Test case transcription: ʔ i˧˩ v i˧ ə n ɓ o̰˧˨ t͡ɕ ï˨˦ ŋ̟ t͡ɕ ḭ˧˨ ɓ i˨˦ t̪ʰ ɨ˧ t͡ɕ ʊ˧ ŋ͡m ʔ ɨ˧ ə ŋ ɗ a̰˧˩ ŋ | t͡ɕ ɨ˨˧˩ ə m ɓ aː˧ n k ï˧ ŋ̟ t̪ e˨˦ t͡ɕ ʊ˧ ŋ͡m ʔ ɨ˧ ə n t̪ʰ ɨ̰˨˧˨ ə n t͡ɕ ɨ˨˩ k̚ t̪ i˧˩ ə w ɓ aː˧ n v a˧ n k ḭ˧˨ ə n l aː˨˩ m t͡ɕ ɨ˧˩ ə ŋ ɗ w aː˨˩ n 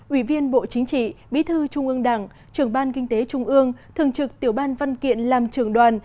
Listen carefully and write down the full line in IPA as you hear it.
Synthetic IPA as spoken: ʔ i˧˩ v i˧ ə n ɓ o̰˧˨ t͡ɕ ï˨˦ ŋ̟ t͡ɕ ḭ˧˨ ɓ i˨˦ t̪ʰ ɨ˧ t͡ɕ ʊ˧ ŋ͡m ʔ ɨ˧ ə ŋ ɗ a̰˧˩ ŋ | t͡ɕ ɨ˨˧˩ ə ŋ ɓ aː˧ n k ï˧ ŋ̟ t̪ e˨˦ t͡ɕ ʊ˧ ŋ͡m ʔ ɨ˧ ə ŋ t̪ʰ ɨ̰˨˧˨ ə ŋ t͡ɕ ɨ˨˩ k̚ t̪ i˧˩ ə w ɓ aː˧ n v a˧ n k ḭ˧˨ ə n l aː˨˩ m t͡ɕ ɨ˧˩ ə ŋ ɗ w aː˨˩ n

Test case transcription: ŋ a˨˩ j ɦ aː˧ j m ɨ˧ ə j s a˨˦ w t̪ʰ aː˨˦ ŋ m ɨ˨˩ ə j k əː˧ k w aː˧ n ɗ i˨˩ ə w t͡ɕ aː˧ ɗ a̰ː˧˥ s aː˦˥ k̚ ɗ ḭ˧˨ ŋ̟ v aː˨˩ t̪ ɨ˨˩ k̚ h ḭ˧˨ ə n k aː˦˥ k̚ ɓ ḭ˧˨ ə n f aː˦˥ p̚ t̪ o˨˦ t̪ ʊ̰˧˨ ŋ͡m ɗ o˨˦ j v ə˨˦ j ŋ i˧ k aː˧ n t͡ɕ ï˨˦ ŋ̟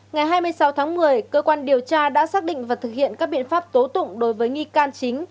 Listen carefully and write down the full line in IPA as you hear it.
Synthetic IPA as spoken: ŋ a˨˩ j ɦ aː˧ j m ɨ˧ ə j s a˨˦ w t̪ʰ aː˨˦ ŋ m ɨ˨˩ ə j k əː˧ k w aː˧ n ɗ i˨˩ ə w t͡ɕ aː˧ ɗ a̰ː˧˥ s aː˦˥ k̚ ɗ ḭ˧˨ ŋ̟ v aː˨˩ t̪ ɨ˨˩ k̚ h ḭ˧˨ ə n k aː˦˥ k̚ ɓ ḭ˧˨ ə n f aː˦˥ p̚ t̪ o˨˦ t̪ ʊ̰˧˨ ŋ͡m ɗ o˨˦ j v əː˨˦ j ŋ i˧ k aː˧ n t͡ɕ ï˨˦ ŋ̟

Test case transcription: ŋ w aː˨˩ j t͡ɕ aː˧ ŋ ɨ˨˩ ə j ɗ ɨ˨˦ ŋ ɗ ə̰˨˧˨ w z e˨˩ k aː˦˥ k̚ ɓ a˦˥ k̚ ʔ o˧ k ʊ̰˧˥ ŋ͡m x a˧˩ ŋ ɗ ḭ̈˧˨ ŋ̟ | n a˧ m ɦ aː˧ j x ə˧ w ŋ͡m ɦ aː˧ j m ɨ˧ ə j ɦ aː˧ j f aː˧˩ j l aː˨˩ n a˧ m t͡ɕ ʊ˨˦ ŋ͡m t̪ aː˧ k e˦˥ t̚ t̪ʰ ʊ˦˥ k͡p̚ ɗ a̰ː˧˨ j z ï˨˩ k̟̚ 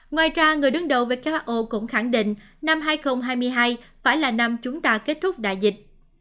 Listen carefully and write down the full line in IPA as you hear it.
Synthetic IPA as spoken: ŋ w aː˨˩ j t͡ɕ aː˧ ŋ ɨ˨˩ ə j ɗ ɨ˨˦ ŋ ɗ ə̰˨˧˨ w v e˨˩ k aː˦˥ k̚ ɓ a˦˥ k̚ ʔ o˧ k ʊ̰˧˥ ŋ͡m x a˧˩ ŋ ɗ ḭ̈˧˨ ŋ̟ | n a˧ m ɦ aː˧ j x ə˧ w ŋ͡m ɦ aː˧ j m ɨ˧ ə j ɦ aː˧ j f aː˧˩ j l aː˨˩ n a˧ m t͡ɕ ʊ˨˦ ŋ͡m t̪ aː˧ k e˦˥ t̚ t̪ʰ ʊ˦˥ k͡p̚ ɗ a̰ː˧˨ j z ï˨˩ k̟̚

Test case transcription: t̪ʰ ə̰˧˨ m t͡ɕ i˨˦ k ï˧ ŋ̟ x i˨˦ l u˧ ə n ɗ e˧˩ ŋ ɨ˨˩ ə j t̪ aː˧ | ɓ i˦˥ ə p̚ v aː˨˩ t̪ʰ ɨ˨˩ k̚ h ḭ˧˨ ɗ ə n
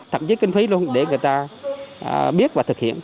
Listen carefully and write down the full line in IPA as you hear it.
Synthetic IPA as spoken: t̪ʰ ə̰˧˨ m t͡ɕ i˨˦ k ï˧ ŋ̟ f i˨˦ l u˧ ə n ɗ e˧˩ ŋ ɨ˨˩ ə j t̪ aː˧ | ɓ i˦˥ ə t̚ v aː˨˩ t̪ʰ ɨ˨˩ k̚ h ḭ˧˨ ə n

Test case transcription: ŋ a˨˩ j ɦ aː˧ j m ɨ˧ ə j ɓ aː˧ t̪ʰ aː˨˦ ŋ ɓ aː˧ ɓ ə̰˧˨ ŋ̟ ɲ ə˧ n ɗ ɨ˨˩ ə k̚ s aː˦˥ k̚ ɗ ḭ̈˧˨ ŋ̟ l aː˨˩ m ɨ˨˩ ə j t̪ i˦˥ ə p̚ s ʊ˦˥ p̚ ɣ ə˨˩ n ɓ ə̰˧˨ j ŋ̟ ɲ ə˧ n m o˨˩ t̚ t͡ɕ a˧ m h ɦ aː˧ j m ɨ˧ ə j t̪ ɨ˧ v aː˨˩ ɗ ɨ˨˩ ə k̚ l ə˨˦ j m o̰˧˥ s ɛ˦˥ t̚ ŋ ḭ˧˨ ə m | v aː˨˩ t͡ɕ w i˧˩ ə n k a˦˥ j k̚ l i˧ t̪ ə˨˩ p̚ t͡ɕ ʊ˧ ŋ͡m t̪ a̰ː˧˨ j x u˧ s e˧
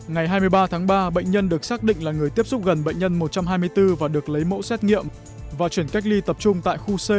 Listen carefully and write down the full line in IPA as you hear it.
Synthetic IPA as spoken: ŋ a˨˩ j ɦ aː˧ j m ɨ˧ ə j ɓ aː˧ t̪ʰ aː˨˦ ŋ ɓ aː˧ ɓ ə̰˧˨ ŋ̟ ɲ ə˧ n ɗ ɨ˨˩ ə k̚ s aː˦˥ k̚ ɗ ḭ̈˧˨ ŋ̟ l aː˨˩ ŋ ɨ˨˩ ə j t̪ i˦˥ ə p̚ s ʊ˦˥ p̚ ɣ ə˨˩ n ɓ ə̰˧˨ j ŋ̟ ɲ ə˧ n m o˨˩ t̚ t͡ɕ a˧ m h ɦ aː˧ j m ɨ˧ ə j t̪ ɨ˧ v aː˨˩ ɗ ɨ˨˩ ə k̚ l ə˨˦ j m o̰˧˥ s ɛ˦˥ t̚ ŋ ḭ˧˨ ə m | v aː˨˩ t͡ɕ w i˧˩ ə n k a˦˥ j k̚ l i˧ t̪ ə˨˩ p̚ t͡ɕ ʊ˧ ŋ͡m t̪ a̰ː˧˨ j x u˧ s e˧

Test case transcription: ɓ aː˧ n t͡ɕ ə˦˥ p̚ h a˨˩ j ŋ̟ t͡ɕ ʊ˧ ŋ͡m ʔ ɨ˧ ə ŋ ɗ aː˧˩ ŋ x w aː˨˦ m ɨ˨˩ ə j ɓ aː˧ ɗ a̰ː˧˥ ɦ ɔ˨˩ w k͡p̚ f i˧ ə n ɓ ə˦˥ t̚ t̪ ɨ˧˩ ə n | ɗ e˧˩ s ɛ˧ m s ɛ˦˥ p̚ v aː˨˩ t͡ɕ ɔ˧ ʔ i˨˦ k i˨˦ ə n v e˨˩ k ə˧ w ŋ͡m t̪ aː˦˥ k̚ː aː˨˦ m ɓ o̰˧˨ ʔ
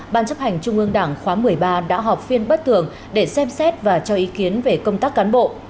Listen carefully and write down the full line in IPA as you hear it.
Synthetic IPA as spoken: ɓ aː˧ n t͡ɕ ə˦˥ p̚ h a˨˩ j ŋ̟ t͡ɕ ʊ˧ ŋ͡m ʔ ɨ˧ ə ŋ ɗ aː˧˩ ŋ x w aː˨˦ m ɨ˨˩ ə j ɓ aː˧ ɗ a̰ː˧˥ ɦ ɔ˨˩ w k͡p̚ f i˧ ə n ɓ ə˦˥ t̚ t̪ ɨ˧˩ ə ŋ | ɗ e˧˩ s ɛ˧ m s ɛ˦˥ t̚ v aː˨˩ t͡ɕ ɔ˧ ʔ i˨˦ k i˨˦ ə n v e˨˩ k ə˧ w ŋ͡m t̪ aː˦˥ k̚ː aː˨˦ n ɓ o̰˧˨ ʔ

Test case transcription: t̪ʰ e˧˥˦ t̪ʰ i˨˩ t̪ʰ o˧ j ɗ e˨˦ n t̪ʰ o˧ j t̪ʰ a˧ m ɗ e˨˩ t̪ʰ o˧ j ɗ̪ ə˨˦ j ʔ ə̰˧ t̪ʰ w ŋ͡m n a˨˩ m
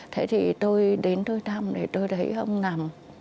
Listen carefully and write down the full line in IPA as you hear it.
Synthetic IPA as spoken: t̪ʰ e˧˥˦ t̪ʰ i˨˩ t̪ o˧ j ɗ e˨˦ n t̪ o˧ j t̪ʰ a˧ m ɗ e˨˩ t̪ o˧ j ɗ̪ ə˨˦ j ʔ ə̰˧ w ŋ͡m n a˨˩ m

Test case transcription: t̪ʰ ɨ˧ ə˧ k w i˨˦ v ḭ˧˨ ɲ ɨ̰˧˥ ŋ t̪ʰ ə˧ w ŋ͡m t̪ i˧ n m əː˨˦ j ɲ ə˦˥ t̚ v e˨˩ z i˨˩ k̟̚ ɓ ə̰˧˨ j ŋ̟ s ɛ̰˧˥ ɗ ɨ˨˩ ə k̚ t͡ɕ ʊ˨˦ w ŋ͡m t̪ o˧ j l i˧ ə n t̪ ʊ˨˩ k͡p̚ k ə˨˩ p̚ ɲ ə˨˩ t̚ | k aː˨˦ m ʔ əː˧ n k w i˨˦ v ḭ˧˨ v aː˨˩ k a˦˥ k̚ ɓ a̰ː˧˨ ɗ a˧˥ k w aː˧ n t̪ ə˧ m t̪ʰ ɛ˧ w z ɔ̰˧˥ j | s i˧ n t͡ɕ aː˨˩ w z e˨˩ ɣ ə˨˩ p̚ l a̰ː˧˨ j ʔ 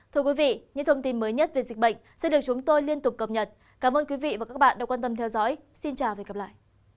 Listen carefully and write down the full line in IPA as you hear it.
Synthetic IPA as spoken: t̪ʰ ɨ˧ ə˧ k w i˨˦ v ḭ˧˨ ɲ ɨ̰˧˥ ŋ t̪ʰ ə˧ w ŋ͡m t̪ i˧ n m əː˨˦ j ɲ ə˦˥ t̚ v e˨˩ z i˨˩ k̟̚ ɓ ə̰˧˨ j ŋ̟ s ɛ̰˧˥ ɗ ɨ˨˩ ə k̚ t͡ɕ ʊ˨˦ ŋ͡m t̪ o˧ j l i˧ ə n t̪ ʊ˨˩ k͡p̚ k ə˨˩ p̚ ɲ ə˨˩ t̚ | k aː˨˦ m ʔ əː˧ n k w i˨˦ v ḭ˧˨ v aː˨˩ k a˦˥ k̚ ɓ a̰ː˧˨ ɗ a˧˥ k w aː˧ n t̪ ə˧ m t̪ʰ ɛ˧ w z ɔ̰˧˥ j | s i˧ n t͡ɕ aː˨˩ w v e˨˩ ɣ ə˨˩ p̚ l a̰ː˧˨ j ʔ

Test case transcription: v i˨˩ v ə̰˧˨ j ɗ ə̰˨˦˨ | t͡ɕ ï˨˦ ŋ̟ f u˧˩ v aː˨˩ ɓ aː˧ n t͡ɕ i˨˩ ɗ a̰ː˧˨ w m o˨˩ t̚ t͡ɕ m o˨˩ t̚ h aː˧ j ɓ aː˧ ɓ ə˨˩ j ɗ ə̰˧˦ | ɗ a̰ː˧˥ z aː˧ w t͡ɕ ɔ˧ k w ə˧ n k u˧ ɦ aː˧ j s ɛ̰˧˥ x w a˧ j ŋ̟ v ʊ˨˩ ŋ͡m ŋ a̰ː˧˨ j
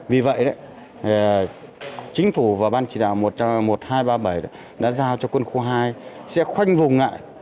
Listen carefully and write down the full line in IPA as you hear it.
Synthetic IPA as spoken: v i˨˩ v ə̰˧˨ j ɗ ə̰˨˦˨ | t͡ɕ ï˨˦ ŋ̟ f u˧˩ v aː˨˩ ɓ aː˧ n t͡ɕ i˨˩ ɗ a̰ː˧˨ w m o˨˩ t̚ t͡ɕ m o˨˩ t̚ h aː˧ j ɓ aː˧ ɓ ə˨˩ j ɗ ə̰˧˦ | ɗ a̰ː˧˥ z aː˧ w t͡ɕ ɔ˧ k w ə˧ n x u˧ ɦ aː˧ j s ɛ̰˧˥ x w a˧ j ŋ̟ v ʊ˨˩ ŋ͡m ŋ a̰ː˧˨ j

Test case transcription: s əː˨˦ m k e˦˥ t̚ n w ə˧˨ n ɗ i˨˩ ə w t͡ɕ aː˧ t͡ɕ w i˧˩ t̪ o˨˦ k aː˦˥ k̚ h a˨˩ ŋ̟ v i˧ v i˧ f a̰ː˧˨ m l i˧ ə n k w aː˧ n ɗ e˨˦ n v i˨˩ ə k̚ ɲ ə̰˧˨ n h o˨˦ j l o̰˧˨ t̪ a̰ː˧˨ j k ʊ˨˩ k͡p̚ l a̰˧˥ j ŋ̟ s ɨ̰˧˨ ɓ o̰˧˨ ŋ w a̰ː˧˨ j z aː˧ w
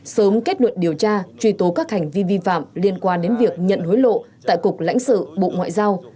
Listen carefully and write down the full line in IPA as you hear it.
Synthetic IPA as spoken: s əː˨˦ m k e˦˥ t̚ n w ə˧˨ n ɗ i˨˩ ə w t͡ɕ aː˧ t͡ɕ w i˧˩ t̪ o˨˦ k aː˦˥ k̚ h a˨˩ ŋ̟ v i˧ v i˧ f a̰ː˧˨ m l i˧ ə n k w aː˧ n ɗ e˨˦ n v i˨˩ ə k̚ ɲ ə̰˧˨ n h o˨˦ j l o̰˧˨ t̪ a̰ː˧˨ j k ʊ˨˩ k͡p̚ l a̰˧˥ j ŋ̟ s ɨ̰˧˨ ɓ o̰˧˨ ŋ w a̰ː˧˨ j z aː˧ w

